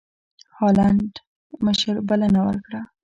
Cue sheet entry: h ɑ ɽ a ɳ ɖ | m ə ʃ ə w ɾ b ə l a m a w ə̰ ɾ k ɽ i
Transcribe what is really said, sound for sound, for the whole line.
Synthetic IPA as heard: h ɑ l a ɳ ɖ | m ə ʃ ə ɾ b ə l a n a w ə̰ ɾ k ɽ a